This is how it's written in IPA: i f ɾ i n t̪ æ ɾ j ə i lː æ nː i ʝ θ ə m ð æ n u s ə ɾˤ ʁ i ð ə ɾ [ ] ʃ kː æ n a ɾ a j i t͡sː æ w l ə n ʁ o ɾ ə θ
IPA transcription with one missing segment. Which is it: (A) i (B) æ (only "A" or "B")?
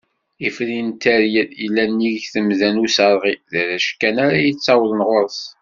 B